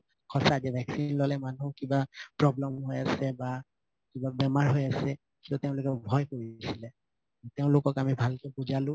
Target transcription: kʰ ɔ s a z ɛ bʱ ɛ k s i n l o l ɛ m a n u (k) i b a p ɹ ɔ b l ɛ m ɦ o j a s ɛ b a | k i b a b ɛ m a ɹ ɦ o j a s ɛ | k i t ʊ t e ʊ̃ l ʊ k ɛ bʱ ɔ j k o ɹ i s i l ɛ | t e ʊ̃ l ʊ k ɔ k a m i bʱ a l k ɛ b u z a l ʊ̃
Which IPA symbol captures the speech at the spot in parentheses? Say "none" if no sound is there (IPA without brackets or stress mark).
k